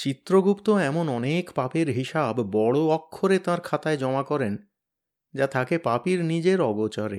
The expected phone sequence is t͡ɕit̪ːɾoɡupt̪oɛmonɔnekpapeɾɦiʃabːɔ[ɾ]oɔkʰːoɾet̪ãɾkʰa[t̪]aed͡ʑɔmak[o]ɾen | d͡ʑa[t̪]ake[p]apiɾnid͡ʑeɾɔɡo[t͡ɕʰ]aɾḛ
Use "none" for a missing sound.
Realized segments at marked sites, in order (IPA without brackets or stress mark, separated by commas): ɽ, t̪, ɔ, t̪ʰ, p, t͡ɕ